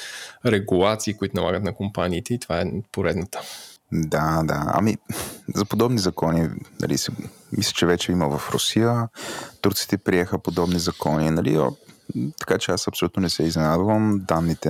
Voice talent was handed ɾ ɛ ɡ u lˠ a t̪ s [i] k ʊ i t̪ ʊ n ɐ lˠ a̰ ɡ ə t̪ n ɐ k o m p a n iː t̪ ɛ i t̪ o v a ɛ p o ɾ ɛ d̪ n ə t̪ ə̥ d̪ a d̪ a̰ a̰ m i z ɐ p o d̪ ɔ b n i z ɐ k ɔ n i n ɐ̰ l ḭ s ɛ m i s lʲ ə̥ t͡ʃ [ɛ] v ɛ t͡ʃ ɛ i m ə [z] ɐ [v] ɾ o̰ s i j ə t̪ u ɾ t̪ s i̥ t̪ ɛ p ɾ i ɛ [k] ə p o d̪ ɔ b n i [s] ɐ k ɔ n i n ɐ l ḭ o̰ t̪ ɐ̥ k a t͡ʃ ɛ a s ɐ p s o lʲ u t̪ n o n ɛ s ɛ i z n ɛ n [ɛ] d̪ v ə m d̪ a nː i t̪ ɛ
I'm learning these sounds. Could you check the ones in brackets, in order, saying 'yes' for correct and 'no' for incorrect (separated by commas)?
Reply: no, yes, no, no, no, no, no